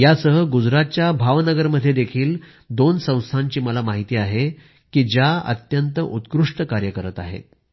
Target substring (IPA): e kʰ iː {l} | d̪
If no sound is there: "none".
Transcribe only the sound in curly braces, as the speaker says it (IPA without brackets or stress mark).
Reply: l